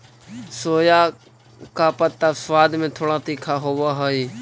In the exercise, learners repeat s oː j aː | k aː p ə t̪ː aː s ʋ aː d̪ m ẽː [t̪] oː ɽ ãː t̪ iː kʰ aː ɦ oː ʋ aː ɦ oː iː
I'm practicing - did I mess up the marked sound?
yes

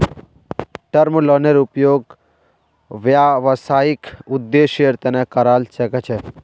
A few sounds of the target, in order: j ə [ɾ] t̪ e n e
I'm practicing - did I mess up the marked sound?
no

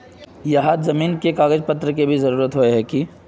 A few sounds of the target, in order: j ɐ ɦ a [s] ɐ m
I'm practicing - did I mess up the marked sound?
yes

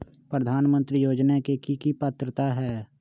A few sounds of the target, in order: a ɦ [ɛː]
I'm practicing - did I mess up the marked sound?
no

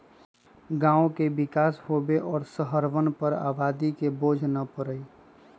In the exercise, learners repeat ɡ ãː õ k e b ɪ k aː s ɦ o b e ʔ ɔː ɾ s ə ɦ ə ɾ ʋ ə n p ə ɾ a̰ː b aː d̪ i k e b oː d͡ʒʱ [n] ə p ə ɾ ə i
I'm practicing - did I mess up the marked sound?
no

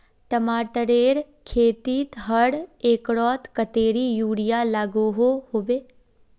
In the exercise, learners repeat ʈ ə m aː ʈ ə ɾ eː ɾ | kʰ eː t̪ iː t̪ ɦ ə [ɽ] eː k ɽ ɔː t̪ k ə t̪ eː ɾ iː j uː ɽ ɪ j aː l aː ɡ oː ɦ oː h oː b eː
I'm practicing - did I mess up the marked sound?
no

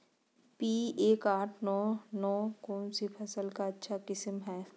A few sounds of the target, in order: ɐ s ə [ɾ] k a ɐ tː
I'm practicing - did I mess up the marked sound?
yes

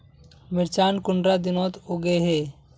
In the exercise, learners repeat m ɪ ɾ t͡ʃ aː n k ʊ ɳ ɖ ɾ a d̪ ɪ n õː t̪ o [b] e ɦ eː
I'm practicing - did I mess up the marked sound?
yes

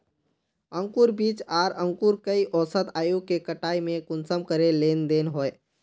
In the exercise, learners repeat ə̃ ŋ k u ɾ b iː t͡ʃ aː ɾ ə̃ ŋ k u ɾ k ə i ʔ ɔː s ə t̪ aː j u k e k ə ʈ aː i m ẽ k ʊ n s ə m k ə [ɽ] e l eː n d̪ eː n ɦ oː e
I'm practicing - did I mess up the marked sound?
yes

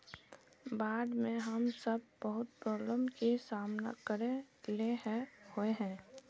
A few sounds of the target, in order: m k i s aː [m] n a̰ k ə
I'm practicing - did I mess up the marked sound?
no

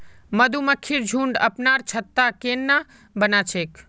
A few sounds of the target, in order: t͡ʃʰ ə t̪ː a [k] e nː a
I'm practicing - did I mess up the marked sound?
no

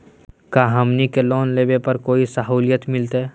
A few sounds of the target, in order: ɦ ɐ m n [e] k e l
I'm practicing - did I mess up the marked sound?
yes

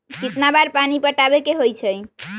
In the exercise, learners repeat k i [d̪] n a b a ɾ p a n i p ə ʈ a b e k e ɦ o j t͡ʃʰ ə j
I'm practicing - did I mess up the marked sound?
yes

